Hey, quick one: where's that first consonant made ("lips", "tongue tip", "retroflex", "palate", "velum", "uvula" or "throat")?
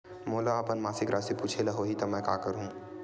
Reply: lips